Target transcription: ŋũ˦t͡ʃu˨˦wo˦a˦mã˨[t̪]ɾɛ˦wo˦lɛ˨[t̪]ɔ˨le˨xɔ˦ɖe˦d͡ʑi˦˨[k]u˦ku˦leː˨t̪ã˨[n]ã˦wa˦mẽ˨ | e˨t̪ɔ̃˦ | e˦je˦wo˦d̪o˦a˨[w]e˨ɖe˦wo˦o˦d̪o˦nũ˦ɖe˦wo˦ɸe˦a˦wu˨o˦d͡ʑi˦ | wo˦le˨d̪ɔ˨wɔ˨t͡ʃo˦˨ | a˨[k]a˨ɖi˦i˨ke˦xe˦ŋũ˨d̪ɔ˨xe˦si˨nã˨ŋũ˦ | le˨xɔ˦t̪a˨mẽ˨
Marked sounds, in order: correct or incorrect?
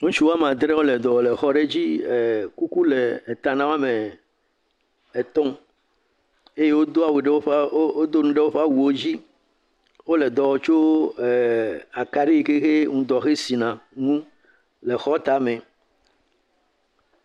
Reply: incorrect, incorrect, correct, correct, correct, correct

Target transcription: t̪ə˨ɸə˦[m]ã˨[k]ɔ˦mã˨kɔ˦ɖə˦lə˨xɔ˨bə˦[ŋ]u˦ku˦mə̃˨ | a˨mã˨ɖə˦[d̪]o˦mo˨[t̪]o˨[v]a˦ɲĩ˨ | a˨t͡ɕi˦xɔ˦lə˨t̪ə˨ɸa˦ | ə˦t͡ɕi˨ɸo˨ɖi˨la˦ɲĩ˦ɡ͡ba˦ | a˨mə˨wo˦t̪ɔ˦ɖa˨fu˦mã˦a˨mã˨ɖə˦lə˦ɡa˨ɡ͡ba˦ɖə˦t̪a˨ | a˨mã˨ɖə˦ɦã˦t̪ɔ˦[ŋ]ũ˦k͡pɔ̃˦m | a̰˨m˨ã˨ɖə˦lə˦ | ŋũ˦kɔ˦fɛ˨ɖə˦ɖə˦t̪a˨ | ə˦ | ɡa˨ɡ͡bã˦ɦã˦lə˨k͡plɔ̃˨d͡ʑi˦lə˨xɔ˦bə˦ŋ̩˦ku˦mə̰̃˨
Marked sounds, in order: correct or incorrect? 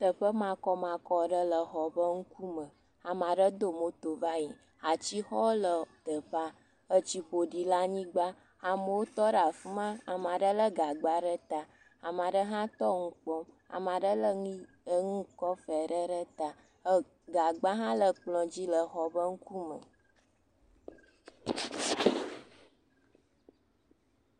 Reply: correct, correct, correct, correct, correct, correct, correct

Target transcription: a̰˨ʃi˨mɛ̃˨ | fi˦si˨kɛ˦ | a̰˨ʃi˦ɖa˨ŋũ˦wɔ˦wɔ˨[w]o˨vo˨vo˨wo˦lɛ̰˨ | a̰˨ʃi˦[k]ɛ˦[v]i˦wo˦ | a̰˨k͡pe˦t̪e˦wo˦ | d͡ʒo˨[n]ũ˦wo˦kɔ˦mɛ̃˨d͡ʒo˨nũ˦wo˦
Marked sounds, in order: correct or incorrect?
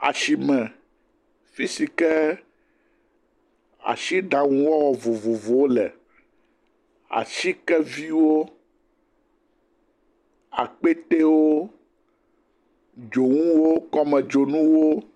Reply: incorrect, correct, correct, incorrect

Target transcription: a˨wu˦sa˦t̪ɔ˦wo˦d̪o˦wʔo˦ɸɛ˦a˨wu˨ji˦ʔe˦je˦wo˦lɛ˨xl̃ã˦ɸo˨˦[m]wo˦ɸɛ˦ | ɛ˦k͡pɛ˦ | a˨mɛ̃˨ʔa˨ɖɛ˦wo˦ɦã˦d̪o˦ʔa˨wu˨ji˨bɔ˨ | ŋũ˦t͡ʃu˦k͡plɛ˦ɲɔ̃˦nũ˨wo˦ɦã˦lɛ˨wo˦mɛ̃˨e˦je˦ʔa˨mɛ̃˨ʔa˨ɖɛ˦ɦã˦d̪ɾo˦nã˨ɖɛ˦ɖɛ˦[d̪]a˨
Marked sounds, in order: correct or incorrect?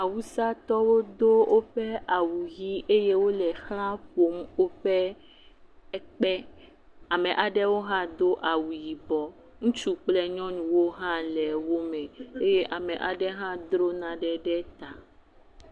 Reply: correct, incorrect

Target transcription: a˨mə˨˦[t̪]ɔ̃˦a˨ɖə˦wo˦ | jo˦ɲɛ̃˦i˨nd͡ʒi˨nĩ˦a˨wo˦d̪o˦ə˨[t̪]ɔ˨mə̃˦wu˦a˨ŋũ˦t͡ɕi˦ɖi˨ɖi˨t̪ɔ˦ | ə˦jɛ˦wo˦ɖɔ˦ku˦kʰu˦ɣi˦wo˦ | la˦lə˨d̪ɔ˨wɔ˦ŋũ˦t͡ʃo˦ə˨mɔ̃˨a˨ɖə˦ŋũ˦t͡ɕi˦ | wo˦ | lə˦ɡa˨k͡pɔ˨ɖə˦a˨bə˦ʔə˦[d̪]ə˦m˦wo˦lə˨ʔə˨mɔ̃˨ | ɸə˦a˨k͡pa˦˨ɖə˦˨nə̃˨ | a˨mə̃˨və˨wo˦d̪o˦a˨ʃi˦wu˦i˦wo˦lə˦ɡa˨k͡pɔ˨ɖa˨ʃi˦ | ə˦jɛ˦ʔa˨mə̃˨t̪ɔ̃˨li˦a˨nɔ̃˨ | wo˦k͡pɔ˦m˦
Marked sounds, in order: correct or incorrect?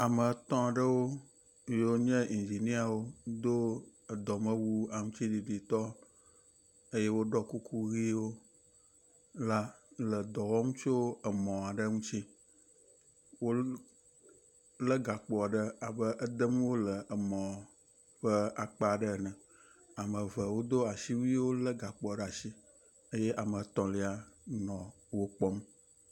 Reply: correct, incorrect, correct

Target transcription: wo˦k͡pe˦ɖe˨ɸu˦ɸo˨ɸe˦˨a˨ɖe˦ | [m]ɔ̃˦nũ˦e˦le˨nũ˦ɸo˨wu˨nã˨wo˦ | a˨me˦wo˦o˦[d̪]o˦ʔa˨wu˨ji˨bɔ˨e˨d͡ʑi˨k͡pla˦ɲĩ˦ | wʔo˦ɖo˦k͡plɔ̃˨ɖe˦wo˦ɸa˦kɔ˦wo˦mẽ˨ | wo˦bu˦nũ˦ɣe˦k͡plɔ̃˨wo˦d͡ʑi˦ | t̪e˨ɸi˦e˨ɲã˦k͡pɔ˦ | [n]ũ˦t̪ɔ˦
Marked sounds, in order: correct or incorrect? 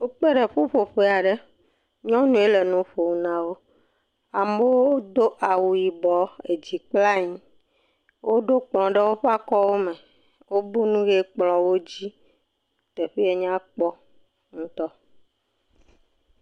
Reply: incorrect, correct, incorrect

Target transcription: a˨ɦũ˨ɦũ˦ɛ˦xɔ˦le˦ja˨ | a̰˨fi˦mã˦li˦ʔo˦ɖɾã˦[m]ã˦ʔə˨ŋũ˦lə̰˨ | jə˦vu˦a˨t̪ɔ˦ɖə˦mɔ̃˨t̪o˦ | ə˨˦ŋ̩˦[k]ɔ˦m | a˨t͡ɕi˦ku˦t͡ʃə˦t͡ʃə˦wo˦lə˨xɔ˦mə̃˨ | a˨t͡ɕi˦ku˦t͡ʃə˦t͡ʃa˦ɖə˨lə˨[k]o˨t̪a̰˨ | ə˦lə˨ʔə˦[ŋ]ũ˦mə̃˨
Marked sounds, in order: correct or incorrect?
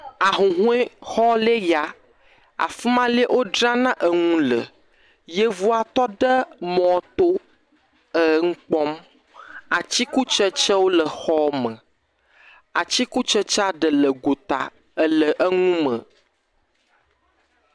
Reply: incorrect, incorrect, incorrect, correct

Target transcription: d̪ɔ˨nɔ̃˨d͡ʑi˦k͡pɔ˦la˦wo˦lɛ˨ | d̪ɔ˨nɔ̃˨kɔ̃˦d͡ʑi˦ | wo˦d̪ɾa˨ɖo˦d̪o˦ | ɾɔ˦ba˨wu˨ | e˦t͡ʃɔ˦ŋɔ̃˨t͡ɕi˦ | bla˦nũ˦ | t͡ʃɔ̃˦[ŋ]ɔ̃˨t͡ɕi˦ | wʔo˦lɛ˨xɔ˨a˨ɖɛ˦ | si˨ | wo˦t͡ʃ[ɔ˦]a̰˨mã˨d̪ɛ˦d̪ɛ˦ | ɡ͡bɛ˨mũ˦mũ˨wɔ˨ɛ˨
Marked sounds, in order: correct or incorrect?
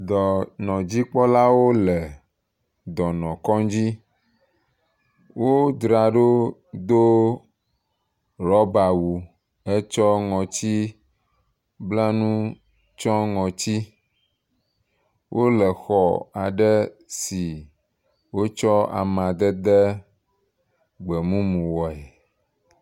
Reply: correct, correct

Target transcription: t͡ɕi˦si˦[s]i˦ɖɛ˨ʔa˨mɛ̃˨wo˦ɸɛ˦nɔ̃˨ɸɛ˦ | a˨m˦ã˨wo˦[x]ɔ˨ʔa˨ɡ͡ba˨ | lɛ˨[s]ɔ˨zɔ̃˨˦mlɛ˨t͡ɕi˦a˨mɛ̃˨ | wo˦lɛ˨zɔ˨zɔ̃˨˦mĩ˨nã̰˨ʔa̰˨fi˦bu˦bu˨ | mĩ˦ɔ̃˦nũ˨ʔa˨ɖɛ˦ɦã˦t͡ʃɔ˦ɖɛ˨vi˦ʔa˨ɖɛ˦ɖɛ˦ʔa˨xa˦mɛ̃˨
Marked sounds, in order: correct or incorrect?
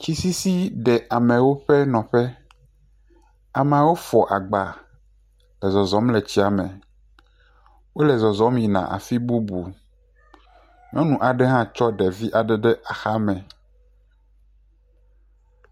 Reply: correct, incorrect, incorrect

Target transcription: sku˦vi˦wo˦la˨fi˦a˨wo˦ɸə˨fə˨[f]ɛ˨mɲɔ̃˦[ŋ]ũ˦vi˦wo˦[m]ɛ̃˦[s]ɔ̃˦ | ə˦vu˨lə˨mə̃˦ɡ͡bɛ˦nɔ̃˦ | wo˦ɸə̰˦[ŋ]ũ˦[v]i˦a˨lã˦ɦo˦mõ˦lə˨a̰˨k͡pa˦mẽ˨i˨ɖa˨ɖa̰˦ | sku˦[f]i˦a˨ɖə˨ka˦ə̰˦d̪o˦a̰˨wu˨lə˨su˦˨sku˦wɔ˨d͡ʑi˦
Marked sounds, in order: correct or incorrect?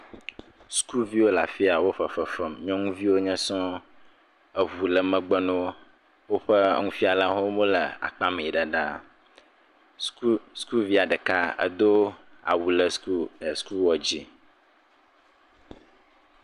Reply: correct, correct, incorrect, correct, correct, incorrect, incorrect

